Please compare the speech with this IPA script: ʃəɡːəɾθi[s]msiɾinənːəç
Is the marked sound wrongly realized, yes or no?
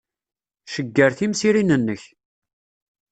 yes